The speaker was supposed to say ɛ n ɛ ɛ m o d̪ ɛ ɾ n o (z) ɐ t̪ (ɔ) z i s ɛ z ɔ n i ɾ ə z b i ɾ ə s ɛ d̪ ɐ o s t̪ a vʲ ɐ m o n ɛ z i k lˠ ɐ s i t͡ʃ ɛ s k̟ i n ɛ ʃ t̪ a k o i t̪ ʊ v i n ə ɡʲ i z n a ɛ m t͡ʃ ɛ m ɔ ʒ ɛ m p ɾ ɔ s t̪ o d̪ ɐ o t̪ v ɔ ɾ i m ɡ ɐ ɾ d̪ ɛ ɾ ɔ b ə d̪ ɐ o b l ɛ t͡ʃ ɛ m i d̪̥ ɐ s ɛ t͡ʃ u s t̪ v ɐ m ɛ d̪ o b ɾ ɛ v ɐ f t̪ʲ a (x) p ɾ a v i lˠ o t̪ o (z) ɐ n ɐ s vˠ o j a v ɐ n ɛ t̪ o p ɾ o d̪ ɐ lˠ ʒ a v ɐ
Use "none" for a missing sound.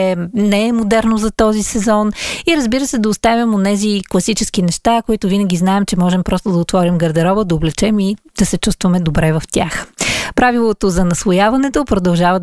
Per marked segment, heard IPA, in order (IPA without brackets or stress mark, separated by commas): z, ɔ, x, z